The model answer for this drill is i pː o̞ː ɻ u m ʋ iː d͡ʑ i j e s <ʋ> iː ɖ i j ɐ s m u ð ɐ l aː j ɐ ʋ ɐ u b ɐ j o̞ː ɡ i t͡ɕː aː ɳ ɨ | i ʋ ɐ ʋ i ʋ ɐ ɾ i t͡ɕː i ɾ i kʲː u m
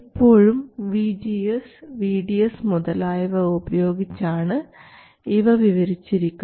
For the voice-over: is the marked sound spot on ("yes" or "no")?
yes